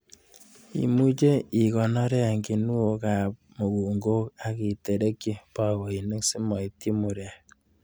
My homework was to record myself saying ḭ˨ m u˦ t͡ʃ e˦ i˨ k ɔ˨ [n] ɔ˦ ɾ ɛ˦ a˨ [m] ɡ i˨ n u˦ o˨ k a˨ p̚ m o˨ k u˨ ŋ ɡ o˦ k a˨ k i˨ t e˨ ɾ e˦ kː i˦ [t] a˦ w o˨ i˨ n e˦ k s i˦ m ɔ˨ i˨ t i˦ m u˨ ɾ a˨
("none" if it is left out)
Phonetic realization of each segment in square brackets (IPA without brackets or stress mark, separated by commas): n, ŋ, p